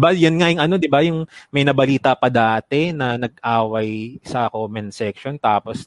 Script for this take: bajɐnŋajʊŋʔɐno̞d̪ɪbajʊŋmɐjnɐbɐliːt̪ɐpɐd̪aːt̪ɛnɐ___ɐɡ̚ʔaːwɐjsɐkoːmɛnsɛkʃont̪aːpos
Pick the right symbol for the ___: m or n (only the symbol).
n